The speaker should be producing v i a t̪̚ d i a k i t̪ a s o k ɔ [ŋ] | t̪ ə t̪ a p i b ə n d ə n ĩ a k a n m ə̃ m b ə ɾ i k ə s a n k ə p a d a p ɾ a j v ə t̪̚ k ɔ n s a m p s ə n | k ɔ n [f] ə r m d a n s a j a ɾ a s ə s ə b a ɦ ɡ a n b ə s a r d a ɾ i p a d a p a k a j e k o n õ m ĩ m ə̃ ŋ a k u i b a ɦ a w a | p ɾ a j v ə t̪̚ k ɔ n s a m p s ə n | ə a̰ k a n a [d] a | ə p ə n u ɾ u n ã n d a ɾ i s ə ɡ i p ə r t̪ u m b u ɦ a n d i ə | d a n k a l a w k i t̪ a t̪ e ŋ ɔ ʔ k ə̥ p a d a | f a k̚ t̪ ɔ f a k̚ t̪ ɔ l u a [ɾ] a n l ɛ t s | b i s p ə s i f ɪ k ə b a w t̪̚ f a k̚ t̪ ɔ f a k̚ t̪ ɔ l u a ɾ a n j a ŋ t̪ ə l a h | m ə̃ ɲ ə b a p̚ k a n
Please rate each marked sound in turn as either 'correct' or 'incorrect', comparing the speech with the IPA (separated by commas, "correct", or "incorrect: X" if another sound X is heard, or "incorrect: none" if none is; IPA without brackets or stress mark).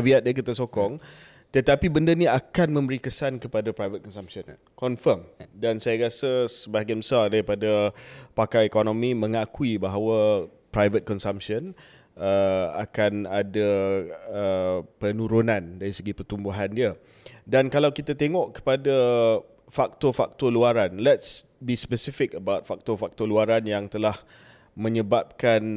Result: correct, correct, correct, correct